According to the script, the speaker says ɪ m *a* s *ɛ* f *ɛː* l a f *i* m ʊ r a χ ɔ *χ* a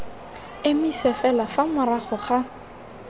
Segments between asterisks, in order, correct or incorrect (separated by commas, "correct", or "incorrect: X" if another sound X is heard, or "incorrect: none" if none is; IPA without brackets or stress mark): incorrect: i, correct, incorrect: ɛ, incorrect: a, correct